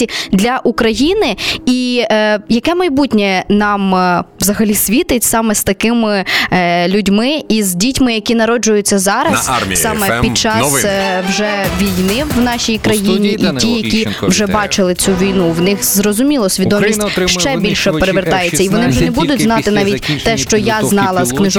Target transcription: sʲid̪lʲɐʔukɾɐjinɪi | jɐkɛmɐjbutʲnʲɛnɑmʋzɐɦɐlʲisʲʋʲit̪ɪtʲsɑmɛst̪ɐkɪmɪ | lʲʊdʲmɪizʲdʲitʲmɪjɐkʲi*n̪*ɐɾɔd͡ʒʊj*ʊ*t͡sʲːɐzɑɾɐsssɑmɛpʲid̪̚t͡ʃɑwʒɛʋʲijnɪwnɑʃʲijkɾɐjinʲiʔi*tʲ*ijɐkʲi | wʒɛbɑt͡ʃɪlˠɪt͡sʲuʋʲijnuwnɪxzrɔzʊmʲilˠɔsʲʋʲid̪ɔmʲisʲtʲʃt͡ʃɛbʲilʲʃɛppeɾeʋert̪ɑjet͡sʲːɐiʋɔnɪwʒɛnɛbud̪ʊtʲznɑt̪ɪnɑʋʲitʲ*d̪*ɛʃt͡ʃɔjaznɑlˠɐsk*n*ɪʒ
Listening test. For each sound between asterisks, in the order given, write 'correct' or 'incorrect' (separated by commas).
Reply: correct, correct, correct, incorrect, correct